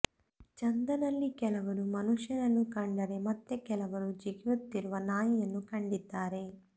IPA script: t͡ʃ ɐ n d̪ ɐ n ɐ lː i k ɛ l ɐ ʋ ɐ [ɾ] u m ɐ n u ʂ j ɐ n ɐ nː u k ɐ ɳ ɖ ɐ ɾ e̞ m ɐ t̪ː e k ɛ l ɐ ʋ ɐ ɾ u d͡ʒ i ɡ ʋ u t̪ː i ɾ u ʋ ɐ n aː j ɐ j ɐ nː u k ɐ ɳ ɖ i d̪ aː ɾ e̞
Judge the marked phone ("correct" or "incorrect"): correct